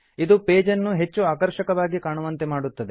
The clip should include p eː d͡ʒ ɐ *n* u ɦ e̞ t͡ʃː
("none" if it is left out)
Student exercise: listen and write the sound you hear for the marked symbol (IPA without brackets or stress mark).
nː